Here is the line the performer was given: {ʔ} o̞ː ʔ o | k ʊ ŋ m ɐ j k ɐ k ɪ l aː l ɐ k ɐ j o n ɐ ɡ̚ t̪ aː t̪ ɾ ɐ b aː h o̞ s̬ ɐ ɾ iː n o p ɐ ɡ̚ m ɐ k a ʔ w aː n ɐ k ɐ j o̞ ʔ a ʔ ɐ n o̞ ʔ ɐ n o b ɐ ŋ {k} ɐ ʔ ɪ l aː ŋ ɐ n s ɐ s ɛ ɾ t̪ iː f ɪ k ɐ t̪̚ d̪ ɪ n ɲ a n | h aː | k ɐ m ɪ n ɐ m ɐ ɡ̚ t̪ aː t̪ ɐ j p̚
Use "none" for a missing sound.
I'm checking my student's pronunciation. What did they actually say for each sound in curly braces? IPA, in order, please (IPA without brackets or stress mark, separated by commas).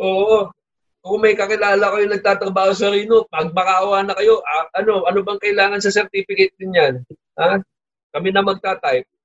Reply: ʔ, k